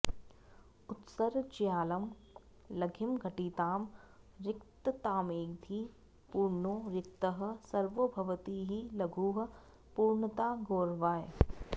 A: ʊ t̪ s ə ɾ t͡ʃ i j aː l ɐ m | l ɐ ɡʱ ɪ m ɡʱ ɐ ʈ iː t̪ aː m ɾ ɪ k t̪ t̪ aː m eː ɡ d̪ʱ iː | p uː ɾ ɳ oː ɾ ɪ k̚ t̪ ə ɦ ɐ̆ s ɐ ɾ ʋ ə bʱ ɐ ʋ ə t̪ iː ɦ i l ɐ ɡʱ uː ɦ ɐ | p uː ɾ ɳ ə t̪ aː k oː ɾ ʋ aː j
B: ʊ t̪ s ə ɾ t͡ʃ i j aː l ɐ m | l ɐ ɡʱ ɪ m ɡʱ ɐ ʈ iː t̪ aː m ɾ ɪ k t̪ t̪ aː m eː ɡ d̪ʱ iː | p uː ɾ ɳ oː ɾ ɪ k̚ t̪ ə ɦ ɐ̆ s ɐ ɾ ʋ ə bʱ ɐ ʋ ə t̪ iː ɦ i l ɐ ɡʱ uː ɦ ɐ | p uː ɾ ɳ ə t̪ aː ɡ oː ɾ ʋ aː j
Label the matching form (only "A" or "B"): B